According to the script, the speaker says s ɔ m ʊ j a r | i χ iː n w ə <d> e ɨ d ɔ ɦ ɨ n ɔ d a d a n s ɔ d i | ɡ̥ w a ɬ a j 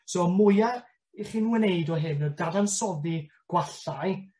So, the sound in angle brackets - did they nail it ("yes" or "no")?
no